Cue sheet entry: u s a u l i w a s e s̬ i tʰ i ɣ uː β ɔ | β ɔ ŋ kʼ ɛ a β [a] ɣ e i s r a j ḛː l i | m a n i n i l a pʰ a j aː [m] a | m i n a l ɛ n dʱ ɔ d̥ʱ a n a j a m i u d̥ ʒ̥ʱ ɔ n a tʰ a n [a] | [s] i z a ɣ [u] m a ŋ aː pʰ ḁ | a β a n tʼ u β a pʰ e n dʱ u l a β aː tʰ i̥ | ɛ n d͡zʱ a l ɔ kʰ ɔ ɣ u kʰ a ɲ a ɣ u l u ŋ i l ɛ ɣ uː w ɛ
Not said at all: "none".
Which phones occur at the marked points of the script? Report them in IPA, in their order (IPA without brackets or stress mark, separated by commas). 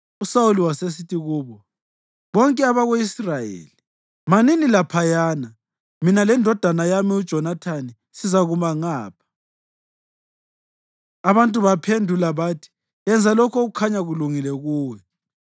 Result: a, n, i, s, u